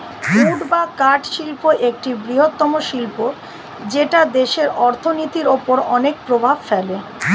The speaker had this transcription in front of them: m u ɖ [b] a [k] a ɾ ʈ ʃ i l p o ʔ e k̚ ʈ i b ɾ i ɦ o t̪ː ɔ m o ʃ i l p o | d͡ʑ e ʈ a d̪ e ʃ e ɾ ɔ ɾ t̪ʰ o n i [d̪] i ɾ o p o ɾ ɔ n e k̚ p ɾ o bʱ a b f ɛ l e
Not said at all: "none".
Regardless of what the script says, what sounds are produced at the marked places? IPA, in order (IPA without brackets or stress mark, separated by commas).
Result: b, k, t̪